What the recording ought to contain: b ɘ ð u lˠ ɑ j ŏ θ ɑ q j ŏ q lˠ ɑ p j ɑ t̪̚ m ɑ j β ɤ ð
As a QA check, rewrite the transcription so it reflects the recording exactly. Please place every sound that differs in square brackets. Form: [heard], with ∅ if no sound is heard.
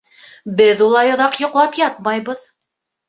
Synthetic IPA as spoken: b ɘ ð u lˠ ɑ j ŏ [ð] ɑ q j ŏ q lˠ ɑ p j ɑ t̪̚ m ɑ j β ɤ ð